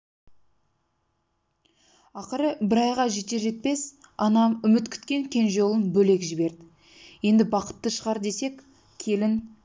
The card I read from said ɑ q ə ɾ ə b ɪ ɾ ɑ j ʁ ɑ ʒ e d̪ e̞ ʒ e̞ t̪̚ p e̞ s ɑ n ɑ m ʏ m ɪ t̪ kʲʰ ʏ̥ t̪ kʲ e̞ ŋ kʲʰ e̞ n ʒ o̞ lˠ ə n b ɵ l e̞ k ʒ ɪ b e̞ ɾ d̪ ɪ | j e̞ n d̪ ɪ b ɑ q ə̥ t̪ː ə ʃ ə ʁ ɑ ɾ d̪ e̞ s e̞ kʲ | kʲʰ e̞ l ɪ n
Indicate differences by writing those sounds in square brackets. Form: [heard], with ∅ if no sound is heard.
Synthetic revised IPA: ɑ q ə ɾ ə b ɪ ɾ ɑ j ʁ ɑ ʒ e [t̪] e̞ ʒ e̞ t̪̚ p e̞ s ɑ n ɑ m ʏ m ɪ t̪ kʲʰ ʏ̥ t̪ kʲ e̞ ŋ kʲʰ e̞ n ʒ o̞ lˠ ə n b ɵ l e̞ k ʒ ɪ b e̞ ɾ d̪ ɪ | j e̞ n d̪ ɪ b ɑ q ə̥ t̪ː ə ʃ ə ʁ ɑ ɾ d̪ e̞ s e̞ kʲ | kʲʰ e̞ l ɪ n